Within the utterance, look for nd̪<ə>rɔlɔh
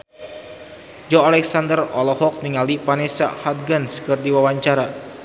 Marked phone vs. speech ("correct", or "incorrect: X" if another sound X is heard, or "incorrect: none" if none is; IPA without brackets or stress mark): correct